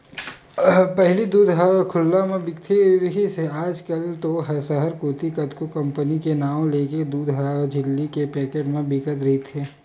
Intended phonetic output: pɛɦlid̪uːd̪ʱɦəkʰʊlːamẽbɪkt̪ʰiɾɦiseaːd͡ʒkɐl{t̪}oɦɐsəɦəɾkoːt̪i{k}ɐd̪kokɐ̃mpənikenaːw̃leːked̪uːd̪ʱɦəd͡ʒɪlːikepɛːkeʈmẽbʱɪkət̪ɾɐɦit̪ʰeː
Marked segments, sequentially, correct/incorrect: correct, correct

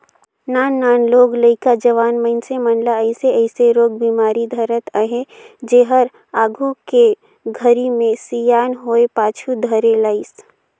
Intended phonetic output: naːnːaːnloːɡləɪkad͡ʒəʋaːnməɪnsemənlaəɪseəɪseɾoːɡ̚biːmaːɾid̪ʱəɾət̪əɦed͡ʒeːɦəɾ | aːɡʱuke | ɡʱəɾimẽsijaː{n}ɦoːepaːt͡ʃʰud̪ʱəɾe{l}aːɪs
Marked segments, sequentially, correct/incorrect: correct, correct

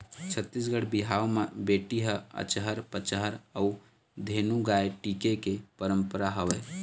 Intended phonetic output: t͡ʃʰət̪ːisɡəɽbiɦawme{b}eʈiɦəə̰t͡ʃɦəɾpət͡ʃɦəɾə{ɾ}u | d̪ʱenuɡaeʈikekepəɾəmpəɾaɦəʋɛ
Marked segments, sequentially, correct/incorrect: correct, incorrect: none

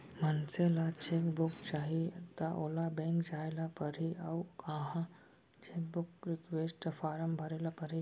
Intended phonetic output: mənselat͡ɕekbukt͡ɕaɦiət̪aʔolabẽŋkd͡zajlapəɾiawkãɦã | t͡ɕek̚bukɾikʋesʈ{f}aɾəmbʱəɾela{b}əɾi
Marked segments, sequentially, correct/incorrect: correct, incorrect: p

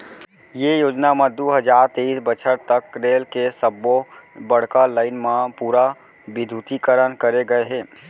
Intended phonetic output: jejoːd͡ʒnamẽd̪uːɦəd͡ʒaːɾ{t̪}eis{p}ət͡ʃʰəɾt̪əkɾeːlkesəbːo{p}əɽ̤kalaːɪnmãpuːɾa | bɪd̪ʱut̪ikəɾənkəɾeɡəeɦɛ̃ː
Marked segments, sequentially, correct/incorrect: correct, incorrect: b, incorrect: b

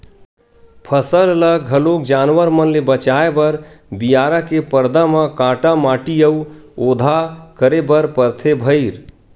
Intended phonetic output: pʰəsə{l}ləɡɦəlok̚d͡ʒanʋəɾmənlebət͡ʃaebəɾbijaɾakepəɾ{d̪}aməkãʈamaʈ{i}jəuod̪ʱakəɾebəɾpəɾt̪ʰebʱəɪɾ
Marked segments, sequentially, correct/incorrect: correct, correct, correct

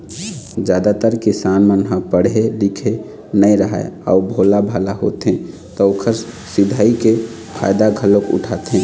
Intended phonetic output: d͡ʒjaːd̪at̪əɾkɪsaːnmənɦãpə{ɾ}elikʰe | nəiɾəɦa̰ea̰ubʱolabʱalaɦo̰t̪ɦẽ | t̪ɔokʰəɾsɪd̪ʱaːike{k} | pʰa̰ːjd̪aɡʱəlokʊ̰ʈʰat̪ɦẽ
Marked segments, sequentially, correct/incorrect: incorrect: ɽ, incorrect: none

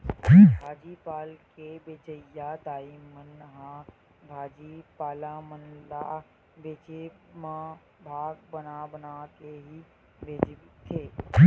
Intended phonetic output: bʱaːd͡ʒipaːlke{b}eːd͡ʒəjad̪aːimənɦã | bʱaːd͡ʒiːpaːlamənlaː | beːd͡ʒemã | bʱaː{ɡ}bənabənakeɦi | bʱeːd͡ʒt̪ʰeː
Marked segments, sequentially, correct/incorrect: correct, correct

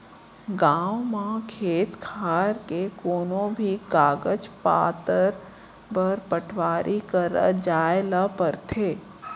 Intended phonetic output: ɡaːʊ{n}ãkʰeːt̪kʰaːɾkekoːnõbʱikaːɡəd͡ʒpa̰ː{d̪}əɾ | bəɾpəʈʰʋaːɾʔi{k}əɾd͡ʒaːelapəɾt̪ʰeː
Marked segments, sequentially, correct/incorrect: incorrect: m, incorrect: t̪, correct

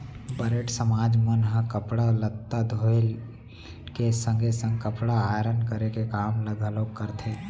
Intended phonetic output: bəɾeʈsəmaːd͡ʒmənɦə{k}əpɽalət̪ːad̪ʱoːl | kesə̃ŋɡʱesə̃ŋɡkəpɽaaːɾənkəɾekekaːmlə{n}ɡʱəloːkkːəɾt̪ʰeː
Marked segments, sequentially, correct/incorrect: correct, incorrect: none

